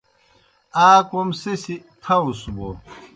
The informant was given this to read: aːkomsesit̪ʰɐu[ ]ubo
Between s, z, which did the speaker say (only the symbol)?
s